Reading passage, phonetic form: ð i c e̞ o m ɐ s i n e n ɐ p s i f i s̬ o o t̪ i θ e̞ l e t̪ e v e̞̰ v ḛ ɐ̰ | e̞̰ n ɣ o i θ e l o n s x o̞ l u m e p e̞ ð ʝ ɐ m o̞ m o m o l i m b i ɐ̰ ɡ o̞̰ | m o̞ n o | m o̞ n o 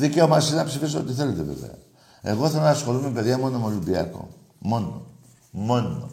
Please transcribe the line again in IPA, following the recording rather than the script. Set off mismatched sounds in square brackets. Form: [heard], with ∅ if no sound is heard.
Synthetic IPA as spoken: ð i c e̞ o m ɐ s i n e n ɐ p s i f i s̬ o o t̪ i θ e̞ l e t̪ e v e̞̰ v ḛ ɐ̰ | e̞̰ [∅] ɣ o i θ e l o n s x o̞ l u m e p e̞ ð ʝ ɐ m o̞ [n] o m o l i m b i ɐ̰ [k] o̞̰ | m o̞ n o | m o̞ n o